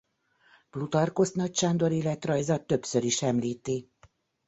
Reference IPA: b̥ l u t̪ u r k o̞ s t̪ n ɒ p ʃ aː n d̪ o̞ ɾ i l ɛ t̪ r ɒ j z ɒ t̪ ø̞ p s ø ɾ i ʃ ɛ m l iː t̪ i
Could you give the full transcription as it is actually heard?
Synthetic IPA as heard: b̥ l u t̪ ɒ r k o̞ s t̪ n ɒ c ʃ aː n d̪ o̞ ɾ i l ɛ t̪ r ɒ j z ɒ t̪ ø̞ p s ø ɾ i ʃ ɛ m l iː t̪ i